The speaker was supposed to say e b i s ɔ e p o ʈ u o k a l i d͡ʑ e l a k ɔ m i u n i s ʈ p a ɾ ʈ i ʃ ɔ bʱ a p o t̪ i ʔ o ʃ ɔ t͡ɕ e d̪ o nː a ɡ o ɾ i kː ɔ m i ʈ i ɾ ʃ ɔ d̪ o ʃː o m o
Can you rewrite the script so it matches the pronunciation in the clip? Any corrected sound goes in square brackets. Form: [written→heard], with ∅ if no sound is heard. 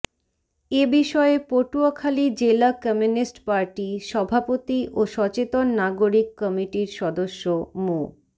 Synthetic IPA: e b i [s→ʃ] ɔ e p o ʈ u o [k→kʰ] a l i d͡ʑ e l a k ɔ m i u n i s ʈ p a ɾ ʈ i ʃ ɔ bʱ a p o t̪ i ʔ o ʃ ɔ t͡ɕ e [d̪→t̪] o nː a ɡ o ɾ i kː ɔ m i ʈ i ɾ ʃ ɔ d̪ o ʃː o m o

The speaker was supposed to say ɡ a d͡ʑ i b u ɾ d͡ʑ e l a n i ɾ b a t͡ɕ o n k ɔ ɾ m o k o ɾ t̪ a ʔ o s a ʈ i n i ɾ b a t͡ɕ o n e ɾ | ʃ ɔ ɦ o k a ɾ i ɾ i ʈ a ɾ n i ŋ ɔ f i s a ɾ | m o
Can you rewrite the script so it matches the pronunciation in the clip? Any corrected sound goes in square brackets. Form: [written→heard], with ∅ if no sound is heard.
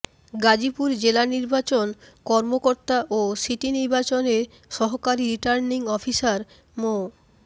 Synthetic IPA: ɡ a d͡ʑ i [b→p] u ɾ d͡ʑ e l a n i ɾ b a t͡ɕ o n k ɔ ɾ m o k o ɾ t̪ a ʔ o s [a→i] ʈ i n i ɾ b a t͡ɕ o n e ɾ | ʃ ɔ ɦ o k a ɾ i ɾ i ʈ a ɾ n i ŋ ɔ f i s a ɾ | m o

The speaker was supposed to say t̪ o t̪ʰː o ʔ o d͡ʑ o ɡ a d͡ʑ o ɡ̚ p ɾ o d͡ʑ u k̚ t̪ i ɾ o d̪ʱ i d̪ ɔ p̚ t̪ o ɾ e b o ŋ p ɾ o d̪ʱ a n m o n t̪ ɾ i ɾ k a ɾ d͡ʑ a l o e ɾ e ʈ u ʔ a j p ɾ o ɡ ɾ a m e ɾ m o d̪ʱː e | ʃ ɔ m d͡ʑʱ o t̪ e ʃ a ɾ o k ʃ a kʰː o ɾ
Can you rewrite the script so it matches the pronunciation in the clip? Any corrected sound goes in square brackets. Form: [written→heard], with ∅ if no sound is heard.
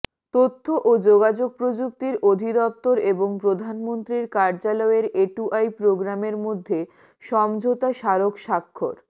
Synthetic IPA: t̪ o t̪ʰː o ʔ o d͡ʑ o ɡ a d͡ʑ o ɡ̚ p ɾ o d͡ʑ u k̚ t̪ i ɾ o d̪ʱ i d̪ ɔ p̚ t̪ o ɾ e b o ŋ p ɾ o d̪ʱ a n m o n t̪ ɾ i ɾ k a ɾ d͡ʑ a l [o→ɔ] e ɾ e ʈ u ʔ a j p ɾ o ɡ ɾ a m e ɾ m o d̪ʱː e | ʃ ɔ m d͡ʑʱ o t̪ [e→a] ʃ a ɾ o k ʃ a kʰː o ɾ

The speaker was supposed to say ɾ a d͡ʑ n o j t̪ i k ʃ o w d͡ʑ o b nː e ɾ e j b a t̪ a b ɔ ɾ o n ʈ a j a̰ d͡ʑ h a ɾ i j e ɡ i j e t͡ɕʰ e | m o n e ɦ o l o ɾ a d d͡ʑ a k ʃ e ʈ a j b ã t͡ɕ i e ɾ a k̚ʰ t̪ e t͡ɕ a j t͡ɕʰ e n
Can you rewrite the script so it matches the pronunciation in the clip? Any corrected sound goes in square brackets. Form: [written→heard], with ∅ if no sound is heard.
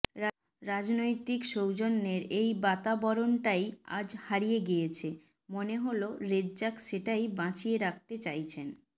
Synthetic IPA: ɾ a d͡ʑ n o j t̪ i k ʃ o w d͡ʑ o [b→∅] nː e ɾ e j b a t̪ a b ɔ ɾ o n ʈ a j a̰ d͡ʑ h a ɾ i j e ɡ i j e t͡ɕʰ e | m o n e ɦ o l o ɾ [a→e] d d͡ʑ a k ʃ e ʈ a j b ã t͡ɕ i e ɾ a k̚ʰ t̪ e t͡ɕ a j t͡ɕʰ e n

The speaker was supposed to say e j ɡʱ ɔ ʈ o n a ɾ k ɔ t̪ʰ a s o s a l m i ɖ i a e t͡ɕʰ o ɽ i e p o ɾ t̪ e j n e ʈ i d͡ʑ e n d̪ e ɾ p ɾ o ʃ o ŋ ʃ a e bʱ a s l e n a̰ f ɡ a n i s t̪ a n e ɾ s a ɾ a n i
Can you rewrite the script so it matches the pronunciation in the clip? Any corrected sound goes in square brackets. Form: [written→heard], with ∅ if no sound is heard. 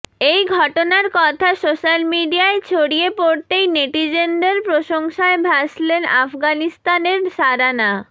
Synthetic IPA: e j ɡʱ ɔ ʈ o n a ɾ k ɔ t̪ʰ a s o [s→ʃ] a l m i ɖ i a e t͡ɕʰ o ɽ i e p o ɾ t̪ e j n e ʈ i d͡ʑ e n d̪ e ɾ p ɾ o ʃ o ŋ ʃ a e bʱ a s l e n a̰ f ɡ a n i s t̪ a n e ɾ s a ɾ a n [i→a]

